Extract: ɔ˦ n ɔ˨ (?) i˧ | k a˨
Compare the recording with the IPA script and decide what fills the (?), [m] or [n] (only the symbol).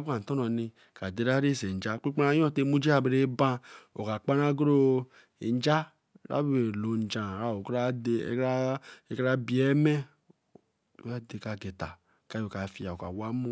n